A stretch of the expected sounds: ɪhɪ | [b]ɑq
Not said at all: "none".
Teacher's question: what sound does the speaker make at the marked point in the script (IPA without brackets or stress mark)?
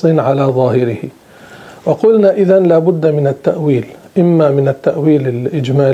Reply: w